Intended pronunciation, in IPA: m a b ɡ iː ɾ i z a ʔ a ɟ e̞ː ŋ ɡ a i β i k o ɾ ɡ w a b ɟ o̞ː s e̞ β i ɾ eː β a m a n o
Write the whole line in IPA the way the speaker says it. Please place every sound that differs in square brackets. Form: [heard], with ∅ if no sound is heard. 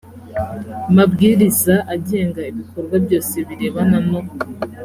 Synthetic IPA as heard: m a b ɡ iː ɾ i z a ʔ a ɟ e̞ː ŋ ɡ a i β i k o ɾ ɡ w a b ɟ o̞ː s e̞ β i ɾ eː β a [n] a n o